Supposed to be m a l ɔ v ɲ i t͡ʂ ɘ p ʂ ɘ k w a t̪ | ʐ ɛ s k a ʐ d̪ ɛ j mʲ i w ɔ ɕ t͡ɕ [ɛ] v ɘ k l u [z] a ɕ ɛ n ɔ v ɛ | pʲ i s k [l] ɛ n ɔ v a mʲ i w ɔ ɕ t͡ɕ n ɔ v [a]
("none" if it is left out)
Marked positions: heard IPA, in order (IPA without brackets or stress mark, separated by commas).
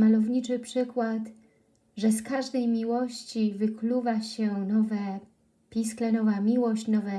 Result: i, v, l, ɛ